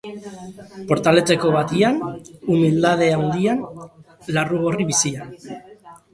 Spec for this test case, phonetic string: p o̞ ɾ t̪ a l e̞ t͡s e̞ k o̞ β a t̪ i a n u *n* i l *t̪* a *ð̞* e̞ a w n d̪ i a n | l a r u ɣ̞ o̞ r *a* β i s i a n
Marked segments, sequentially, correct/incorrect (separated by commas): incorrect, incorrect, correct, incorrect